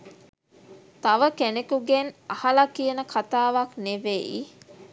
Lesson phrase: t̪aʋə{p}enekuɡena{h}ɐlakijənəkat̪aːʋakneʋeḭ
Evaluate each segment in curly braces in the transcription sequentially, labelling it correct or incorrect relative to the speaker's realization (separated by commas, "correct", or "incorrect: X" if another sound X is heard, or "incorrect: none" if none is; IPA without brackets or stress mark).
incorrect: k, correct